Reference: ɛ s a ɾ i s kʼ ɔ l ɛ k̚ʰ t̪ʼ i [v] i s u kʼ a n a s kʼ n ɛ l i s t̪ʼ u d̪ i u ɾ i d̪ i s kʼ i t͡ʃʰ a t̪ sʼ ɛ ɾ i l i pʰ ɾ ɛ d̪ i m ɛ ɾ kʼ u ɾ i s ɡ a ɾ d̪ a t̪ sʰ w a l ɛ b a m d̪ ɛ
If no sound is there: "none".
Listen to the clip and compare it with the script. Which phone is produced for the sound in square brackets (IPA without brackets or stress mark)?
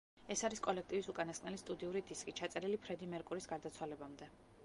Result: v